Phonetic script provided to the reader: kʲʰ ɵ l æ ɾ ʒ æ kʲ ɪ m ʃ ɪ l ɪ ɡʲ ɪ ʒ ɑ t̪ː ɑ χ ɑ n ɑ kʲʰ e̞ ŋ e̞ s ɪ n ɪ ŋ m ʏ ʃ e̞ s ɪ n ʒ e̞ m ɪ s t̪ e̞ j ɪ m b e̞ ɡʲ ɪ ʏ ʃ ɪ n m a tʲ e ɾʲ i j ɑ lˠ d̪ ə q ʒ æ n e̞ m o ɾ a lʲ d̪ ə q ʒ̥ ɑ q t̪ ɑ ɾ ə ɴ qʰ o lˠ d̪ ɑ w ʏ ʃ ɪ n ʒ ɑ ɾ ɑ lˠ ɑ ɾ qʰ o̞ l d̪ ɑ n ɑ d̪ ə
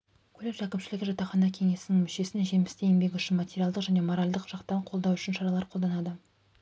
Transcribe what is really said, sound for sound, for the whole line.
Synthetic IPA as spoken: kʲʰ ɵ l e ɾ ʒ æ kʲ ɪ m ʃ ɪ l ɪ ɡʲ ɪ ʒ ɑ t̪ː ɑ χ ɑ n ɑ kʲʰ e̞ ŋ e̞ s ɪ n ɪ ŋ m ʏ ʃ e̞ s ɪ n ʒ e̞ m ɪ s t̪ e̞ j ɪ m b e̞ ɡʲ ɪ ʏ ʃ ɪ n m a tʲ e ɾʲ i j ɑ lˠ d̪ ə q ʒ æ n e̞ m o ɾ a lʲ d̪ ə q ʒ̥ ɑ q t̪ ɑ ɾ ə ɴ qʰ o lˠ d̪ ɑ w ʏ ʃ ɪ n ʃ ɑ ɾ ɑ lˠ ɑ ɾ qʰ o̞ l d̪ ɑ n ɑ d̪ ə